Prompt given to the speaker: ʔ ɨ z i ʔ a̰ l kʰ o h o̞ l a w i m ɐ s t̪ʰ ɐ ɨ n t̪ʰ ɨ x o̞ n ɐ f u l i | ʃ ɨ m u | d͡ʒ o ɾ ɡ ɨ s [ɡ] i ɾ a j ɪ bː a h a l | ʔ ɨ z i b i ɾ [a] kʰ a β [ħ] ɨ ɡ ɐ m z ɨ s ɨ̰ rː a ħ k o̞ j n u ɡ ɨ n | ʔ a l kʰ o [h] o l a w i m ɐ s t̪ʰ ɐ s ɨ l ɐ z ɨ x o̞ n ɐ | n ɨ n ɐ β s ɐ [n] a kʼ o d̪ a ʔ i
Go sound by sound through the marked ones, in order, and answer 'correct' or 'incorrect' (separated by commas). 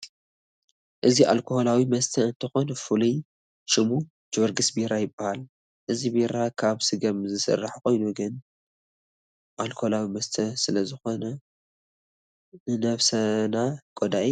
incorrect, correct, incorrect, correct, correct